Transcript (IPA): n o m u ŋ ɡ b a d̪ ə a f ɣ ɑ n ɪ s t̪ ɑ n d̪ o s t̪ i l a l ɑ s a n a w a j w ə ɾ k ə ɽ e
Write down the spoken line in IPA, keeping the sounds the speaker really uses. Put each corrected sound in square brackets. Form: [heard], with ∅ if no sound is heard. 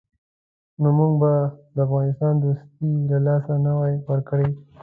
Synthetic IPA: n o m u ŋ ɡ b a d̪ ə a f ɣ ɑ n ɪ s t̪ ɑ n d̪ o s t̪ i l a l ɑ s a n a w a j w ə ɾ k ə ɽ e